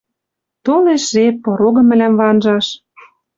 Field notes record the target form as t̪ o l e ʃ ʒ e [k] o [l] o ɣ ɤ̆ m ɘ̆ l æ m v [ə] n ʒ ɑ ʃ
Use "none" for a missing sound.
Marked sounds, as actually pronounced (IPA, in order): p, ɾ, ɑ

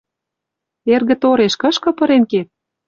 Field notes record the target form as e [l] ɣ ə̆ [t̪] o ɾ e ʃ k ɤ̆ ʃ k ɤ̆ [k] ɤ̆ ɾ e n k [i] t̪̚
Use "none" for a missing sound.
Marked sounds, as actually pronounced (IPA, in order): r, t̪, p, e

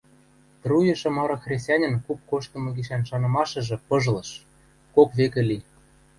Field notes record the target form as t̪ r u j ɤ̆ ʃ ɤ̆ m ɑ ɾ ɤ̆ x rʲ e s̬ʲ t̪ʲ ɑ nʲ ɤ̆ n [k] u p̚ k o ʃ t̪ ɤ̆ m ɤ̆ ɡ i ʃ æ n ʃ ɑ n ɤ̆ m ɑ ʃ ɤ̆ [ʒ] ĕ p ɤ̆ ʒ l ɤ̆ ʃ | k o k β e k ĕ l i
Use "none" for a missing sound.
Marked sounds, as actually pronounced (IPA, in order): k, ʒ

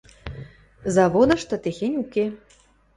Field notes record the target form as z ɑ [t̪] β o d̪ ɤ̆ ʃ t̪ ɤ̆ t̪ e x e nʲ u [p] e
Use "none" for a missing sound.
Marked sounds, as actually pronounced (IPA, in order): none, k

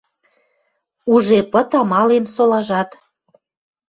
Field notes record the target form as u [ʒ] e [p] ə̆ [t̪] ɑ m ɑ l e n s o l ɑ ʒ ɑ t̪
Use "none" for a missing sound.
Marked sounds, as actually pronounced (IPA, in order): ʒ, p, t̪

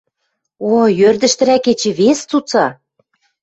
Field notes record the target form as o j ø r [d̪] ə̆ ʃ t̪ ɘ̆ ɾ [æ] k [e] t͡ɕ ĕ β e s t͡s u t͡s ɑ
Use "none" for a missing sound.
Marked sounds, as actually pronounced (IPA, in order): d̪, æ, e

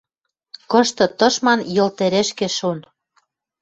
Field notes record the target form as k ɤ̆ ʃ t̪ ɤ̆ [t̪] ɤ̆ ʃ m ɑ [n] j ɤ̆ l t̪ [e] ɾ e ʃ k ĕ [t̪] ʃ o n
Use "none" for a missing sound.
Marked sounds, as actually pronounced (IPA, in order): t̪, n, e, none

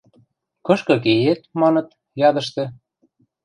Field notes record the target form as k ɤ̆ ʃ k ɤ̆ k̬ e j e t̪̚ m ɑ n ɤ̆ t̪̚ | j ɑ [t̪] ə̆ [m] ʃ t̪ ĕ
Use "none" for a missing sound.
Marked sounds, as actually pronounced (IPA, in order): d̪, none

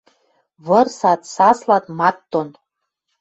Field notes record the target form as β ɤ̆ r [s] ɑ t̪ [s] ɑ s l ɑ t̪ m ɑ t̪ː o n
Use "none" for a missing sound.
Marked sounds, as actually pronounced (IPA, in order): s, s

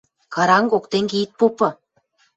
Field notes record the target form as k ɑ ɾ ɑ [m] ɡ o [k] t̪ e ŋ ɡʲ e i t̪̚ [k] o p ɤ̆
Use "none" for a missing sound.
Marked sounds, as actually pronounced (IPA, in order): ŋ, k, p

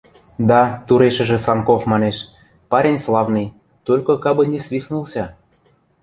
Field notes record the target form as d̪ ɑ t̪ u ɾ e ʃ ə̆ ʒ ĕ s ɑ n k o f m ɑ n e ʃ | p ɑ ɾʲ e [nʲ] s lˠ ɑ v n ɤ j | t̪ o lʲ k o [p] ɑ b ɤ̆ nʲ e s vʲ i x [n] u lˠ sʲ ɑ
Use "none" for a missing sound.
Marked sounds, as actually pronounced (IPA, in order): nʲ, k, n

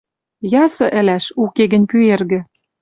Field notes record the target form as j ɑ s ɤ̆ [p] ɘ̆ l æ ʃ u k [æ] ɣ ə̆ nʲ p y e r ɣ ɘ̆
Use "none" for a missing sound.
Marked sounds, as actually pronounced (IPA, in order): ʔ, e

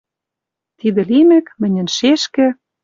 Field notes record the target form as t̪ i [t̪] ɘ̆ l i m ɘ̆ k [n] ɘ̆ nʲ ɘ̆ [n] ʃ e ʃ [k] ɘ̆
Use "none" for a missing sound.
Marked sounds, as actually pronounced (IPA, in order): d̪, m, n, k

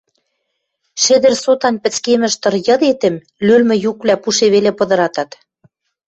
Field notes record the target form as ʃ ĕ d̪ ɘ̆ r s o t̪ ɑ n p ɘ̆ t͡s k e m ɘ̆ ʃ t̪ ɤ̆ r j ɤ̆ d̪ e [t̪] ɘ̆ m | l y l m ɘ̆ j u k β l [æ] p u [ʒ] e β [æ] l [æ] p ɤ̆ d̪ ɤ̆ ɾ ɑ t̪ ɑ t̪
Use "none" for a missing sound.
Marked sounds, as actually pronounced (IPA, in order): t̪, æ, ʃ, e, e

